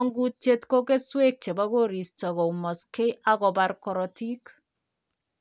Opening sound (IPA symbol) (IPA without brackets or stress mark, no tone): ŋ